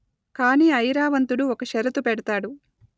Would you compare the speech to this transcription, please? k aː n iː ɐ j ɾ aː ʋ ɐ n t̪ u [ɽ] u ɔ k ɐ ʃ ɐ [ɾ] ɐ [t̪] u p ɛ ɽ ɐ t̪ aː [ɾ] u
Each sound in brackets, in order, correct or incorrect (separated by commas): correct, correct, correct, incorrect